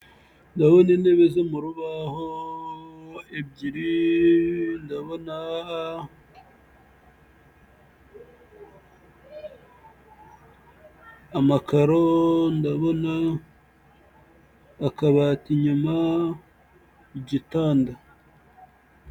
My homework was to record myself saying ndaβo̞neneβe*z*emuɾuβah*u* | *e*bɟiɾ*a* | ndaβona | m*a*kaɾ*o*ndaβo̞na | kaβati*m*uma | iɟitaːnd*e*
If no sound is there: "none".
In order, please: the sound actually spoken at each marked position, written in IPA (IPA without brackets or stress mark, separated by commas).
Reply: z, o, e, i, a, o, ɲ, a